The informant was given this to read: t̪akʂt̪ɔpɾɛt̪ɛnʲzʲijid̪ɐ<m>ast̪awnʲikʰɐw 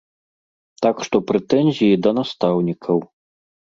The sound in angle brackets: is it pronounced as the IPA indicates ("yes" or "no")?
no